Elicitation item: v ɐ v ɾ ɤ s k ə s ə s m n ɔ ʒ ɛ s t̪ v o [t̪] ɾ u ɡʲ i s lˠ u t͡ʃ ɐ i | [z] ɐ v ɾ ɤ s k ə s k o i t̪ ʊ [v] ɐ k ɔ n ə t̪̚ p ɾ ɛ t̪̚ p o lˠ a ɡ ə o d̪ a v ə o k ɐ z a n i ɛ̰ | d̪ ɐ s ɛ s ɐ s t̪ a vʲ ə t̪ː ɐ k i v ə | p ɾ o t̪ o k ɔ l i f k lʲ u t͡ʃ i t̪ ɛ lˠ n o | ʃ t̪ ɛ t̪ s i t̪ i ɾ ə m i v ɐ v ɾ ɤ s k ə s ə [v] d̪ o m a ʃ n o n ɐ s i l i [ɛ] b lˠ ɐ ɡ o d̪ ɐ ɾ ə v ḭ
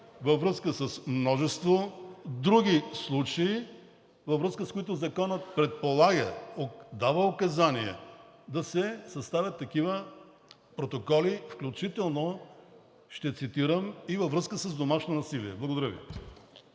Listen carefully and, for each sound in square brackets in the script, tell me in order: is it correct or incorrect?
incorrect: d̪, incorrect: v, incorrect: z, incorrect: z, correct

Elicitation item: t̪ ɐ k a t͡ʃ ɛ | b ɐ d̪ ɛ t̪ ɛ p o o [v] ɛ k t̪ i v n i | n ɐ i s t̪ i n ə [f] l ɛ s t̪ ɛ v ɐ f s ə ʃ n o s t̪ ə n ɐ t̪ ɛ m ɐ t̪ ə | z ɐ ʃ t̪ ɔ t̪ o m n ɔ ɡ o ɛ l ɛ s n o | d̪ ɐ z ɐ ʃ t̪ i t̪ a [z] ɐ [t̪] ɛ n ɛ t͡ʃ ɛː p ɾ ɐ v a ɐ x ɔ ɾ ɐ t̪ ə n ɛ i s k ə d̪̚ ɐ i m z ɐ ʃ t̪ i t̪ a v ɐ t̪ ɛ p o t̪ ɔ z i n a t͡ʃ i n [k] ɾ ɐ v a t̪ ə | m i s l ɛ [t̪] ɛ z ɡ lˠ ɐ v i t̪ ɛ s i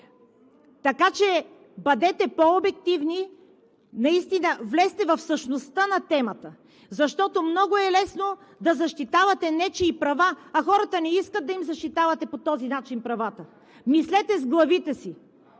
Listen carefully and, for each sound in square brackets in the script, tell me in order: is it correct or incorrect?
incorrect: b, incorrect: v, incorrect: v, correct, incorrect: p, correct

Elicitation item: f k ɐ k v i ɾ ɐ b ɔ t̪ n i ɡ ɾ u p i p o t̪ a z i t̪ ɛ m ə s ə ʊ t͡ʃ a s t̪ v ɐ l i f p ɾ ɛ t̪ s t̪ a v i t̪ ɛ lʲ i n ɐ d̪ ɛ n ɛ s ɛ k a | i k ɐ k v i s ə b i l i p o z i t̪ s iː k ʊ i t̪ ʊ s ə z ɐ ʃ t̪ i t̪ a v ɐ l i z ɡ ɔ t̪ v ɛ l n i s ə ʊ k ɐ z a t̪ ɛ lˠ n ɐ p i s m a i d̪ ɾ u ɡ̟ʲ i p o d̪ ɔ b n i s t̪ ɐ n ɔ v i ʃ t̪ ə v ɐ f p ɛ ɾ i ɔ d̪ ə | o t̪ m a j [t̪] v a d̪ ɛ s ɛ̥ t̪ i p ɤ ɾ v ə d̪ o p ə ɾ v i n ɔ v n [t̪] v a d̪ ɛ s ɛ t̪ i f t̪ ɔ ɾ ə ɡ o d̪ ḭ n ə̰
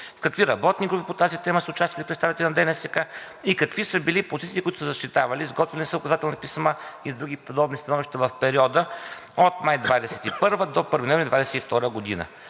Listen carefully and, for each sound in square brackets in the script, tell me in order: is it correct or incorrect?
incorrect: d̪, incorrect: d̪

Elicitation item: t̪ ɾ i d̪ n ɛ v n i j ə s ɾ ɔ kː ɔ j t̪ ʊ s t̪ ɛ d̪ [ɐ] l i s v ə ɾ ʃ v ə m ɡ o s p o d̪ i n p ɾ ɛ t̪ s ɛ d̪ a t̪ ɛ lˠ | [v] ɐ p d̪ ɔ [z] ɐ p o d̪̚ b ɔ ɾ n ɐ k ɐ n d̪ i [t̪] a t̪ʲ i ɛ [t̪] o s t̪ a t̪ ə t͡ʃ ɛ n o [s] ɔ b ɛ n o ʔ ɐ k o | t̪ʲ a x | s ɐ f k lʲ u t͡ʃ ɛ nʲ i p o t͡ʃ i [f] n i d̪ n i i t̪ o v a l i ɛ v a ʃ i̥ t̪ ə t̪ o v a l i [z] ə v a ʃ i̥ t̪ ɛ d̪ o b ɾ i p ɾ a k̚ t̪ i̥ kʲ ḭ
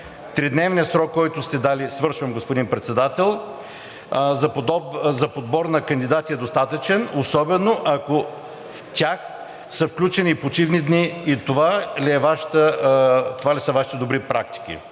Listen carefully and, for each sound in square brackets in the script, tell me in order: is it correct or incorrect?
incorrect: a, incorrect: z, correct, incorrect: d̪, incorrect: d̪, correct, incorrect: v, incorrect: s

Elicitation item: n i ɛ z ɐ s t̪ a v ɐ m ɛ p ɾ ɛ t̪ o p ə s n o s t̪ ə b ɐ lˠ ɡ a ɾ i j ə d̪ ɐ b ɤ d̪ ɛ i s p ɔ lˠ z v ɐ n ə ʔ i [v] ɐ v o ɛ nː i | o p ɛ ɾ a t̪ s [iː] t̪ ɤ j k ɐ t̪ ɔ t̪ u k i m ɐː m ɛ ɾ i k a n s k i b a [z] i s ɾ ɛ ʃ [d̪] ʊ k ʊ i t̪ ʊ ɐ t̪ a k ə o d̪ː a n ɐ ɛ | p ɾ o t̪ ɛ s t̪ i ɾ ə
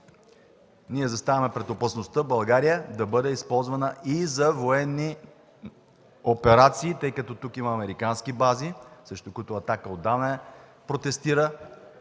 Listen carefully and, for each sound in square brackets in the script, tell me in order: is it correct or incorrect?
incorrect: z, correct, correct, incorrect: t̪

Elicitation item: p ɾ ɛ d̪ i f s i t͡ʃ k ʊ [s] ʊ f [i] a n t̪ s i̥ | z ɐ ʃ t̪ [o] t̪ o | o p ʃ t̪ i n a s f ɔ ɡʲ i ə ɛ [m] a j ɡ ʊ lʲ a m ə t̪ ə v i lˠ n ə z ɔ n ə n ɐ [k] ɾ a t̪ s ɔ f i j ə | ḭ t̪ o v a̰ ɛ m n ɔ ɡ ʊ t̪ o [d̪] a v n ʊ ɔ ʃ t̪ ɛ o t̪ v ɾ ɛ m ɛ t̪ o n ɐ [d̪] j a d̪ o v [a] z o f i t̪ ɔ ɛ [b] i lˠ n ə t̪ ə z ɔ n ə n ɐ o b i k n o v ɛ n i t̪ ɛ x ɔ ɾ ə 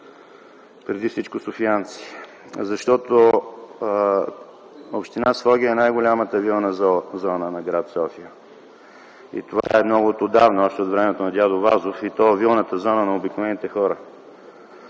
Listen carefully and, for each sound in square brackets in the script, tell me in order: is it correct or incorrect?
correct, correct, incorrect: ɔ, incorrect: n, incorrect: ɡ, correct, correct, correct, incorrect: v

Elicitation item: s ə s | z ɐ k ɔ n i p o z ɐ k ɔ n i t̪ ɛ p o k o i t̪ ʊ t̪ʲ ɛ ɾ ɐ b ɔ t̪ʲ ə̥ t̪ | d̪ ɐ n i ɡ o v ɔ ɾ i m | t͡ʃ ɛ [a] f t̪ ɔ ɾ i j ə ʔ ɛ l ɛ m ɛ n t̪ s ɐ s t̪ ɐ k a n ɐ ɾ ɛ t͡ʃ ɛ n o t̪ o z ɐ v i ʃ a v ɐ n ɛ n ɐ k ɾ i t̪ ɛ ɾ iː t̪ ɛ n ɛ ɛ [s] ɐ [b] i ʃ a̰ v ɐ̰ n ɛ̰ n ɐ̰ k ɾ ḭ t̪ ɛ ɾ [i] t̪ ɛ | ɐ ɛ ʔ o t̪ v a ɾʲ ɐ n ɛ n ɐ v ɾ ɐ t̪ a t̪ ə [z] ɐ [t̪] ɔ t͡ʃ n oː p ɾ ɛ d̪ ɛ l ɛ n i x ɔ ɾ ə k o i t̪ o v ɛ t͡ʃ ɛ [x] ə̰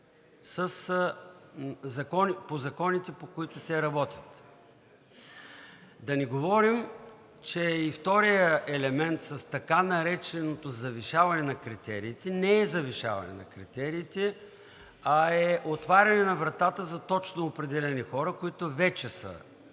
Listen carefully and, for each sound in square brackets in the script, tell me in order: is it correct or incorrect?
incorrect: i, incorrect: z, incorrect: v, incorrect: iː, correct, correct, incorrect: s

